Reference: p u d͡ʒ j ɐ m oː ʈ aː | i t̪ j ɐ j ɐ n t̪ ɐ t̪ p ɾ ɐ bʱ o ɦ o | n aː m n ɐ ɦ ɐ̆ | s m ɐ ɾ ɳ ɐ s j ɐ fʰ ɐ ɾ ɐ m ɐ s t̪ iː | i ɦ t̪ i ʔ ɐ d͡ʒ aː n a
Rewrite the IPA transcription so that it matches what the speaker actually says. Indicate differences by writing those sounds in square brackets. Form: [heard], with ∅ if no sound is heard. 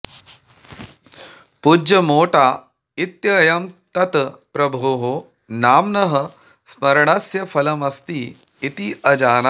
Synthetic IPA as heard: p u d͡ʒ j ɐ m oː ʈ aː | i t̪ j ɐ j ɐ [m] t̪ ɐ t̪ p ɾ ɐ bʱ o ɦ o | n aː m n ɐ ɦ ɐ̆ | s m ɐ ɾ ɳ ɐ s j ɐ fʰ ɐ [l] ɐ m ɐ s t̪ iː | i [∅] t̪ i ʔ ɐ d͡ʒ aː n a